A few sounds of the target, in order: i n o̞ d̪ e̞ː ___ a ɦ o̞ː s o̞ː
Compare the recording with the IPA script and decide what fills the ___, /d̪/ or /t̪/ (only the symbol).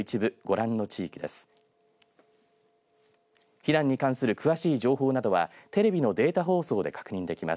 t̪